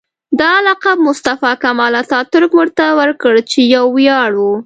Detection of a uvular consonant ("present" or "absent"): present